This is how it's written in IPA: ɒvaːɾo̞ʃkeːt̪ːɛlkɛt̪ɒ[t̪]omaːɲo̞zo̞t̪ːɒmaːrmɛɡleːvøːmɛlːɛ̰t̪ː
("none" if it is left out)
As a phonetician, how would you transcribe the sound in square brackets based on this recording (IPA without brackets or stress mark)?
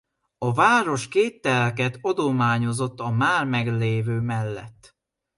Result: d̪